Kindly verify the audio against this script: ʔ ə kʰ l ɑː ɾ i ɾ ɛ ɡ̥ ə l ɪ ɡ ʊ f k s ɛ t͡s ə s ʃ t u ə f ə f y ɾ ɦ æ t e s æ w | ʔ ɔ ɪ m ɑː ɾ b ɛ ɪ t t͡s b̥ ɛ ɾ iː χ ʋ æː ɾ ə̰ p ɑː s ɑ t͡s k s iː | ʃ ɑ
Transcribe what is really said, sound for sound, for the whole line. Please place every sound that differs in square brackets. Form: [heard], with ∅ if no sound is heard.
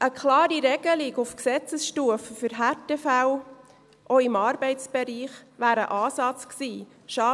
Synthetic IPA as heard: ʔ ə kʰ l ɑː ɾ i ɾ ɛ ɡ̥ ə l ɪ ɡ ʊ f k s ɛ t͡s ə s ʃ t u ə f ə f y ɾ ɦ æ t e [f] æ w | ʔ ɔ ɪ m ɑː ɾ b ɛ ɪ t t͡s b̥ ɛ ɾ iː χ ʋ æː ɾ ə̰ [ʔ] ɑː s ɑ t͡s k s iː | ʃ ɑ